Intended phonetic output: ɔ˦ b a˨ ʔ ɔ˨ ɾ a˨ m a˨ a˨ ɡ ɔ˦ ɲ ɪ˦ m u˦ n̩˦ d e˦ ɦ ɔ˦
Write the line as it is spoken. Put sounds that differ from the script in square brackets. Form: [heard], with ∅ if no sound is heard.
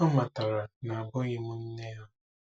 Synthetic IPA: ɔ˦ [m] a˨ [t] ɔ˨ ɾ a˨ [n] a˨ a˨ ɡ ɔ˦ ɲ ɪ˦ m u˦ n̩˦ [n] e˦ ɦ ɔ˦